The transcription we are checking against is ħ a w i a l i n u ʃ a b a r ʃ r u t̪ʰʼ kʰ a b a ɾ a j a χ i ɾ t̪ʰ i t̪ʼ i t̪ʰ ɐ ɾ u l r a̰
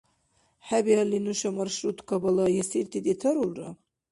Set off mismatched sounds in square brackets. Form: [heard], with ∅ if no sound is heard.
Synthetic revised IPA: ħ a [b] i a l i n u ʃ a [m] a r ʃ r u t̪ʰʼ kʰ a b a [l] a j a [s] i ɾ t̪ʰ i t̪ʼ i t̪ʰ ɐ ɾ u l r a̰